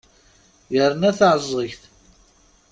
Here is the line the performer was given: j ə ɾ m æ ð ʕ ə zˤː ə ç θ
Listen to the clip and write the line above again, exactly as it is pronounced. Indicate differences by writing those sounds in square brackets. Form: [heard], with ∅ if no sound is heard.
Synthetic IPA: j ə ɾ [n] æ [θ] ʕ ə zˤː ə ç θ